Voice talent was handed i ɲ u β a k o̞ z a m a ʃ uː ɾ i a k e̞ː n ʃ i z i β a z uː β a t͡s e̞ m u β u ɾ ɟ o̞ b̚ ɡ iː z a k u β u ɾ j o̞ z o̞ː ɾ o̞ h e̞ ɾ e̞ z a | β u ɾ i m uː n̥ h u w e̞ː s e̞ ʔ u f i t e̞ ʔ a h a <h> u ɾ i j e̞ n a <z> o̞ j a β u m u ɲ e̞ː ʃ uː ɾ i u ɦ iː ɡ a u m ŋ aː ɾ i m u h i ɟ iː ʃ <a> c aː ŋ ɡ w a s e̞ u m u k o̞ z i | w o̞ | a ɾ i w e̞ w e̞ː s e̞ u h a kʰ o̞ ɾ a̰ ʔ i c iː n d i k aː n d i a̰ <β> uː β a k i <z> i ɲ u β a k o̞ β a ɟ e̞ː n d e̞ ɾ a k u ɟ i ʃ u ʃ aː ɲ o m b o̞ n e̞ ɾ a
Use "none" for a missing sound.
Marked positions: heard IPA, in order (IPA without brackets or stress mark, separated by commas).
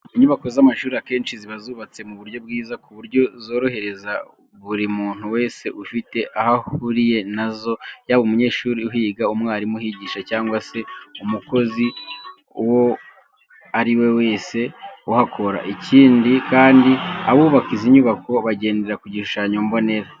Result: h, z, a, β, z